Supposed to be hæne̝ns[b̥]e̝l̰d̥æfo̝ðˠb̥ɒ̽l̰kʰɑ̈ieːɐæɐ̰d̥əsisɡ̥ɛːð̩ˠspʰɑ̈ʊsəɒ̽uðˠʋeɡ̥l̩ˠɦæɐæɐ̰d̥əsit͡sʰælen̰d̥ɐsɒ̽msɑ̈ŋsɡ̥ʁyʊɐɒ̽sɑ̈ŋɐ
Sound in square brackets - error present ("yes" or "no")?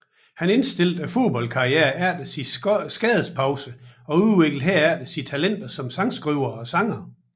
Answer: yes